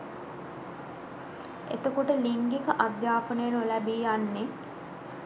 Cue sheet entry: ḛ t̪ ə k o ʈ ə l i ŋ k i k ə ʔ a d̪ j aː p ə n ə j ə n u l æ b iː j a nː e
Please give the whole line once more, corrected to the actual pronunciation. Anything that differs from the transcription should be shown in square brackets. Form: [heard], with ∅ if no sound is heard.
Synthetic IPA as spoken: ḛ t̪ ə k o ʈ ə l i ŋ [ɡ] i k ə ʔ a d̪ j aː p ə n ə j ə n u l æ b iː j a nː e